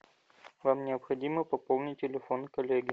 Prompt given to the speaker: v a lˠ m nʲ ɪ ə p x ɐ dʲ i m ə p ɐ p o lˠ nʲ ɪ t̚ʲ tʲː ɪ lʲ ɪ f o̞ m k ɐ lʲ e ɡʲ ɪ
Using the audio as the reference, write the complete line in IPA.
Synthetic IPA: v a m nʲ ɪ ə p x ɐ dʲ i m ə p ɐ p o lˠ nʲ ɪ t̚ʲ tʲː ɪ lʲ ɪ f o̞ n k ɐ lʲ e ɡʲ ɪ